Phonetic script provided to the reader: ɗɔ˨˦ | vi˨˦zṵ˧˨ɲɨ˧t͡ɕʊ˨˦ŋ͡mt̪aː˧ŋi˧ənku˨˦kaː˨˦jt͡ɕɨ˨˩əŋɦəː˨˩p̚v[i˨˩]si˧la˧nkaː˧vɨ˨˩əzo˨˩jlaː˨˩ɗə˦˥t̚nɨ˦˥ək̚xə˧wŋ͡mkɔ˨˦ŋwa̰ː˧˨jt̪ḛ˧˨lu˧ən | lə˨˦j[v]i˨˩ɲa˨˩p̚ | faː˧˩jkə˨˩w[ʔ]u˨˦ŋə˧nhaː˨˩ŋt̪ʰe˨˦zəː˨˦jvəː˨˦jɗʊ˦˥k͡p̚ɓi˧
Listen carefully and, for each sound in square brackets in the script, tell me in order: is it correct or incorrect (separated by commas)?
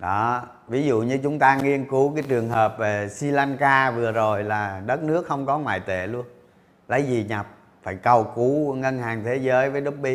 incorrect, incorrect, incorrect